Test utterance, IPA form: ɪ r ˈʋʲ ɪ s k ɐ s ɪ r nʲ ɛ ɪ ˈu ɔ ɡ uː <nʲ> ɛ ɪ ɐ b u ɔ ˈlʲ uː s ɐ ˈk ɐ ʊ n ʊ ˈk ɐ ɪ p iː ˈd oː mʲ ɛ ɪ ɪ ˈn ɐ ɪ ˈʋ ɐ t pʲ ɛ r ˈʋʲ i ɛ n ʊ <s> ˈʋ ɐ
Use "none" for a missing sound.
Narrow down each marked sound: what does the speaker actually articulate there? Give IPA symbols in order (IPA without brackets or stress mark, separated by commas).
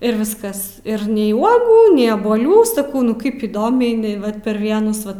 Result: nʲ, s